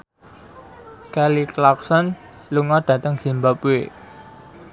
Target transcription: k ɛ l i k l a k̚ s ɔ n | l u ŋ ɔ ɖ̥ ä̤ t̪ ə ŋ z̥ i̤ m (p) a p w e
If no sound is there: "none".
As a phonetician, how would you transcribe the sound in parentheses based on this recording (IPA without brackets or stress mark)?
b